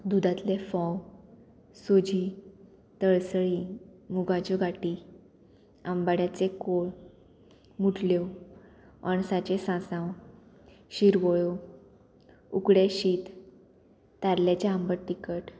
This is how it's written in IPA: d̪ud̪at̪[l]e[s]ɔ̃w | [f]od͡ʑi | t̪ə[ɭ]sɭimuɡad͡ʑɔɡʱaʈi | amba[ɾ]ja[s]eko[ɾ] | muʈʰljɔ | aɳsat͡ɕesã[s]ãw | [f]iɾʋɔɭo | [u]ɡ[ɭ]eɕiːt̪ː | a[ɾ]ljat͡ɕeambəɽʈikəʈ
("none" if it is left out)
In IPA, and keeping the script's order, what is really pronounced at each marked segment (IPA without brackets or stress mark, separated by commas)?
l, f, s, ɭ, ɽ, t͡s, ɭ, s, ɕ, u, ɽ, ɾ